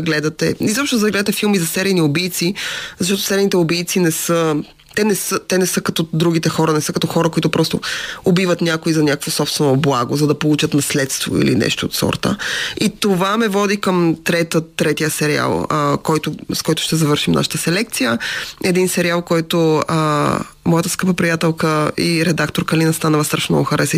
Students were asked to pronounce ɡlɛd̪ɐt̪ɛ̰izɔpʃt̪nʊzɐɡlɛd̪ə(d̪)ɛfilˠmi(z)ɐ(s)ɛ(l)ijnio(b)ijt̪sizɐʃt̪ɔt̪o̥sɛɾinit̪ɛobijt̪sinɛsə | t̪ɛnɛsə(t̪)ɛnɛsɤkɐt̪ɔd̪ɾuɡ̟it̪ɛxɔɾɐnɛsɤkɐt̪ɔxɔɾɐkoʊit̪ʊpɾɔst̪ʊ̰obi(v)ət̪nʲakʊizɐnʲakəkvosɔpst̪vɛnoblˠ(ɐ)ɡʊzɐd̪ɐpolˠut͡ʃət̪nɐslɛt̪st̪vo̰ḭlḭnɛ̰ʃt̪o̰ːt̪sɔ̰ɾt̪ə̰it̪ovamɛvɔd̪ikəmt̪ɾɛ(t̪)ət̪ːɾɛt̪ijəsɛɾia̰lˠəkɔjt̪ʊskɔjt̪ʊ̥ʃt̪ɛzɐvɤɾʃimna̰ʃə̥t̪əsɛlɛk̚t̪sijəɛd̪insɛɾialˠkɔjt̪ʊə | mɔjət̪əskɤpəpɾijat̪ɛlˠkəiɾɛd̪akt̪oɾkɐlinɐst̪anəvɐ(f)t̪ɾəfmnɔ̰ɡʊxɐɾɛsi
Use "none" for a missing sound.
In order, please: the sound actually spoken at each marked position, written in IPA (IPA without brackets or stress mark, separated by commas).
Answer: t̪, z, s, ɾ, b, t̪, v, a, t̪, s